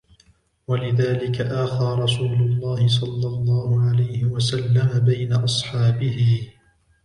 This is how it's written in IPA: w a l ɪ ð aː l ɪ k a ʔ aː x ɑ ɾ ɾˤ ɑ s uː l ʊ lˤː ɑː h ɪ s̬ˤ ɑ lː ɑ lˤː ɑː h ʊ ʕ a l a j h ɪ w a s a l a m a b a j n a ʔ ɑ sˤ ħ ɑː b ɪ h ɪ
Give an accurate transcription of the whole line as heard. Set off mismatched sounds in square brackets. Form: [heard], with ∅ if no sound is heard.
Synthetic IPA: w a l ɪ ð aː l ɪ k a ʔ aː x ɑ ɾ ɾˤ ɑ s uː l ʊ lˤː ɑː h ɪ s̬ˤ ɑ lː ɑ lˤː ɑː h ʊ ʕ a l a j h ɪ w a s a [lː] a m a b a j n a ʔ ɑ sˤ ħ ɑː b ɪ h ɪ